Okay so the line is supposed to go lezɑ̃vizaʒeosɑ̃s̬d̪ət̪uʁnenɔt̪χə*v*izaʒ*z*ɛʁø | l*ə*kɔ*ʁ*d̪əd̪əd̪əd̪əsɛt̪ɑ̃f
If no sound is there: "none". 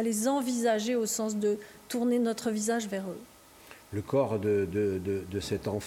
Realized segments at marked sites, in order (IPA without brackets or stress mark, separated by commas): v, v, ə, ʁ